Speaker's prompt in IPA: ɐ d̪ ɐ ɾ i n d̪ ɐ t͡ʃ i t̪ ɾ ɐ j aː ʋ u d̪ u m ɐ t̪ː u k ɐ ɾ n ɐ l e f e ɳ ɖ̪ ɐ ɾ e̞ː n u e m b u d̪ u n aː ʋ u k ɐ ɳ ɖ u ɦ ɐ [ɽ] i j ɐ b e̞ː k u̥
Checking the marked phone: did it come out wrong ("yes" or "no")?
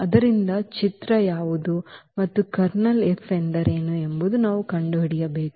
no